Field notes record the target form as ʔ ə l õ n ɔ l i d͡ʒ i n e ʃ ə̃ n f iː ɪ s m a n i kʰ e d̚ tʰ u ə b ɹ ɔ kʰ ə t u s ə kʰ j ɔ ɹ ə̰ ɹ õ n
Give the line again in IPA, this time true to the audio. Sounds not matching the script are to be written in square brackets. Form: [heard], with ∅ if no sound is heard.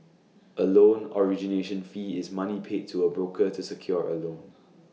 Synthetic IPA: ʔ ə l õ n ɔ [ɹ] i d͡ʒ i n e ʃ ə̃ n f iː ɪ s m a n i [pʰ] e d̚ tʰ u ə b ɹ [o] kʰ ə t u s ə kʰ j ɔ ɹ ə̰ [l] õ n